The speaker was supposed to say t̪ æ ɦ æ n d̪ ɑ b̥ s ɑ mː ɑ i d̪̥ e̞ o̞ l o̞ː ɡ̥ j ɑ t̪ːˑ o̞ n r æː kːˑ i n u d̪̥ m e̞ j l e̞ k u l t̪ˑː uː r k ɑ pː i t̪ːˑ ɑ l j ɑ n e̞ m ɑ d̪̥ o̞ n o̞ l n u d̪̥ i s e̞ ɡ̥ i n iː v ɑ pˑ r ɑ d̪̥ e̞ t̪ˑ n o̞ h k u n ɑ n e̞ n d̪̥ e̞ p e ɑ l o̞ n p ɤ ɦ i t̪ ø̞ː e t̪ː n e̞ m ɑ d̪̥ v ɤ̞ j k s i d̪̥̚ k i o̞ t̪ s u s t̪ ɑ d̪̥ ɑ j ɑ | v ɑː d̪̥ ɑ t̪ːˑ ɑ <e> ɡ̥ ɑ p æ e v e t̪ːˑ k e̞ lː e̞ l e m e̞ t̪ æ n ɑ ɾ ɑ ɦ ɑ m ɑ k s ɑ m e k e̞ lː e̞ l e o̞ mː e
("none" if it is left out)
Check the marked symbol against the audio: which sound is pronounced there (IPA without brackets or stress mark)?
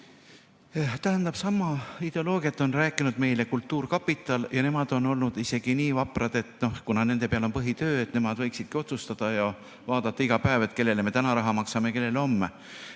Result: i